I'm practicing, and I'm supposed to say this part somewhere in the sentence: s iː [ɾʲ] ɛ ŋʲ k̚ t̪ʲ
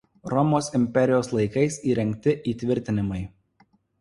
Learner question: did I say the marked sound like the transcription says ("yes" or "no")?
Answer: yes